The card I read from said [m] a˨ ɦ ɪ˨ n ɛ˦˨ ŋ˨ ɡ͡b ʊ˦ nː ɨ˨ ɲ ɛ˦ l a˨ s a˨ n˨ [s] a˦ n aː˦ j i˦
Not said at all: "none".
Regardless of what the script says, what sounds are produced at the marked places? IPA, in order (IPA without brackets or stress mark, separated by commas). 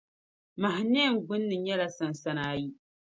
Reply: m, s